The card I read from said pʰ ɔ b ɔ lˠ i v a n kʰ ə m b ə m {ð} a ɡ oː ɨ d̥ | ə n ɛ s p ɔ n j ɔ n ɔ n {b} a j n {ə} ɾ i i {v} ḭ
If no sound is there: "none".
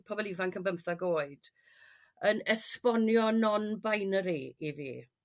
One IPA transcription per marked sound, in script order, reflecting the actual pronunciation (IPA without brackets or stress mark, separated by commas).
θ, b, ə, v